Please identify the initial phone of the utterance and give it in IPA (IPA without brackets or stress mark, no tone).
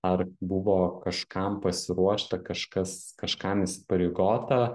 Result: ɐ